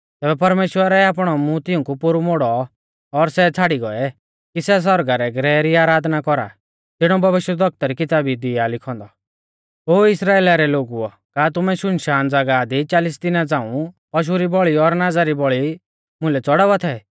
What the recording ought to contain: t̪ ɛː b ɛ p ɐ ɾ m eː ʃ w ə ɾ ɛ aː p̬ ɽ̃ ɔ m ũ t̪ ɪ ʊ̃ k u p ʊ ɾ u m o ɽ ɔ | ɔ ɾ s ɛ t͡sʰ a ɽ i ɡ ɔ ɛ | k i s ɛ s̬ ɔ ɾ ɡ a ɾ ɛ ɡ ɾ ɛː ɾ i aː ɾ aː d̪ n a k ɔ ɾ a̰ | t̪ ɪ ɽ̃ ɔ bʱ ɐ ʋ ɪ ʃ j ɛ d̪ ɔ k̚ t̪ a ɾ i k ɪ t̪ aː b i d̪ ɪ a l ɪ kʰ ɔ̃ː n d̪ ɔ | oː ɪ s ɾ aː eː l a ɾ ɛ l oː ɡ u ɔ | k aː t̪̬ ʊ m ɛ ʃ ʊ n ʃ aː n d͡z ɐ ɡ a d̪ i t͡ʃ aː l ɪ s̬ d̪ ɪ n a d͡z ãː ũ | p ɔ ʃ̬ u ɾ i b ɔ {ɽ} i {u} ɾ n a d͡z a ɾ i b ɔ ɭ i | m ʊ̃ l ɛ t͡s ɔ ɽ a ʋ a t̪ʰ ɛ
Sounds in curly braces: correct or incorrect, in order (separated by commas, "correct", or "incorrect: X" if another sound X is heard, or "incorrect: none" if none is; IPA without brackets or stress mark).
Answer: incorrect: ɭ, incorrect: ɔ